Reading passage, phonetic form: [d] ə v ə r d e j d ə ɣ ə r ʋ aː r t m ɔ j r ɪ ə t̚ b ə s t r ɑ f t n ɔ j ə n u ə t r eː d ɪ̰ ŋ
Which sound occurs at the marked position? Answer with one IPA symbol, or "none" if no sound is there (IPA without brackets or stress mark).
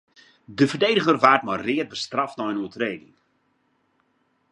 d